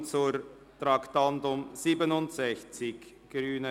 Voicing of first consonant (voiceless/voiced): voiceless